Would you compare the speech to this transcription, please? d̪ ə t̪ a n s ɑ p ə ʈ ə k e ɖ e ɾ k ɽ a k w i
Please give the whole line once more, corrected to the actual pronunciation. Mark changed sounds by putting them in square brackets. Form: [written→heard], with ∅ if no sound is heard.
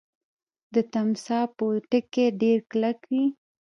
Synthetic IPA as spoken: d̪ ə t̪ a [n→m] s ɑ p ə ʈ ə k e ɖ e ɾ k [ɽ→l] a k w i